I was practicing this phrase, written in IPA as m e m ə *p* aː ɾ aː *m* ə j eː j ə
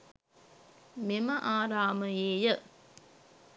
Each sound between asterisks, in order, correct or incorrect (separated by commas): incorrect, correct